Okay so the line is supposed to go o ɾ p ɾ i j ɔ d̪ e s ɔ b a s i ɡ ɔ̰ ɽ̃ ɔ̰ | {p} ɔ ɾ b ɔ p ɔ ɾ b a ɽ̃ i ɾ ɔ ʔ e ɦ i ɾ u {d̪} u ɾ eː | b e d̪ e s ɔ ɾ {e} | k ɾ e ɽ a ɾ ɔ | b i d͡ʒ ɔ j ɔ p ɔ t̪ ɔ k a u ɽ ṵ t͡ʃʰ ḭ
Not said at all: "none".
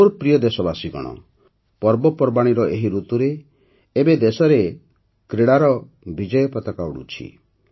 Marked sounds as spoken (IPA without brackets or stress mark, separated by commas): p, t̪, e